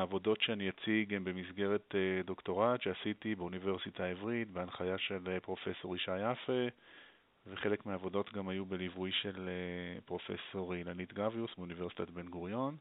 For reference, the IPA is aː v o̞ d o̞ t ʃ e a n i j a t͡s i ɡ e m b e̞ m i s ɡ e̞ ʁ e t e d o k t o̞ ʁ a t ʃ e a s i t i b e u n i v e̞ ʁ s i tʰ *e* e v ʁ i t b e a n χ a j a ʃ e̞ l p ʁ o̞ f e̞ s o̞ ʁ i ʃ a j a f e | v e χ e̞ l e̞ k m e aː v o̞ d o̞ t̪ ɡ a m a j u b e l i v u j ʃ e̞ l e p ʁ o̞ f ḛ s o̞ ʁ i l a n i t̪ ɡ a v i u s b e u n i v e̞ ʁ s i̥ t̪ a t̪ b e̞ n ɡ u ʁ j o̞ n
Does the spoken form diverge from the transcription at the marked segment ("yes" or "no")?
yes